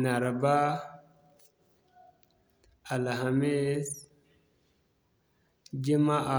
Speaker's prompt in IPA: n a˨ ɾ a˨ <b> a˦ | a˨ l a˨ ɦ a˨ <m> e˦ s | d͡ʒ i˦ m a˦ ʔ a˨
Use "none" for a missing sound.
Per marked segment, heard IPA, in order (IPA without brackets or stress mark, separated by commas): b, m